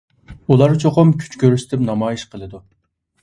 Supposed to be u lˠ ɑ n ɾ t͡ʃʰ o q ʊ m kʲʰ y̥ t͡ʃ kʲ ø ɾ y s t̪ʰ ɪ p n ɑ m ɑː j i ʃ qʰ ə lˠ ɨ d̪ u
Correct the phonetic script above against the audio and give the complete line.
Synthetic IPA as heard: u lˠ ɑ ɾ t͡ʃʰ o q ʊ m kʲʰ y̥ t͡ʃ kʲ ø ɾ y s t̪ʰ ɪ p n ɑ m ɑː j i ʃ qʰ ə lˠ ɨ d̪ u